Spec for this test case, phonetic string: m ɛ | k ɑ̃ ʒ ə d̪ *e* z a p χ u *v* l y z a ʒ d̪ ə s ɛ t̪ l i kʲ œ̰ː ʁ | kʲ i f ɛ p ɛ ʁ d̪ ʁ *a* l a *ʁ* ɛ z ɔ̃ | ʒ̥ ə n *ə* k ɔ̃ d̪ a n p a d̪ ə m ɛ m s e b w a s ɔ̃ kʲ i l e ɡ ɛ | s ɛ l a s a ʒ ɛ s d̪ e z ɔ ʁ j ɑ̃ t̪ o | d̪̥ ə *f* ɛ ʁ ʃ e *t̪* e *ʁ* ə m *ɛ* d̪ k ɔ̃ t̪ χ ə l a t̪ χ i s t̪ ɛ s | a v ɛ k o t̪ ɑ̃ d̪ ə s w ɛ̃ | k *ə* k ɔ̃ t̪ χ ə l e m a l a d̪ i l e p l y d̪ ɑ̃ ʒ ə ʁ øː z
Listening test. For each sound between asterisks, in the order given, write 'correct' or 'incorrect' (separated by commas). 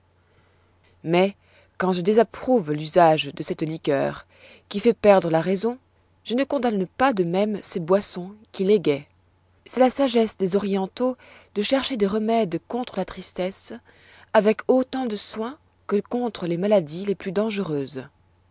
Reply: correct, correct, incorrect, correct, correct, incorrect, incorrect, correct, correct, correct